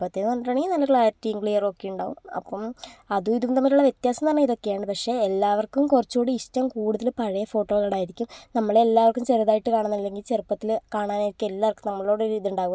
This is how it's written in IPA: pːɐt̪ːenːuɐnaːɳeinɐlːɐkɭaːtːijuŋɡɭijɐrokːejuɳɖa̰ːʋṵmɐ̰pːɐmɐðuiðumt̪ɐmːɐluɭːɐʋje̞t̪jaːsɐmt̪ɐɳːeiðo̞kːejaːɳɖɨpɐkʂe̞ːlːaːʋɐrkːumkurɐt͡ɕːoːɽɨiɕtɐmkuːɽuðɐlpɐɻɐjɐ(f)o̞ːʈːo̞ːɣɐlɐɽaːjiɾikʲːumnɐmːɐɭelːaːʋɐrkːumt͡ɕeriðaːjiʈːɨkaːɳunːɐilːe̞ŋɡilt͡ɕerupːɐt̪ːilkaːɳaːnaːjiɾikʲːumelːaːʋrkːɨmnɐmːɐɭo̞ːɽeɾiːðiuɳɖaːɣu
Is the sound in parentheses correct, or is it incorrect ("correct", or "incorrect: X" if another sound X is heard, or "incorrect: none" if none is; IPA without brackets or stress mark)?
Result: correct